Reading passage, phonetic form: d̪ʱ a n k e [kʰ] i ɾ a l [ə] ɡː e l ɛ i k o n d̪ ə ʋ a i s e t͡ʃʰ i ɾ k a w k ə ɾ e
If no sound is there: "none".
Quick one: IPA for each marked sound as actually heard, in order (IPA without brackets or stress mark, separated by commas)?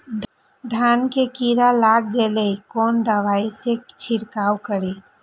k, a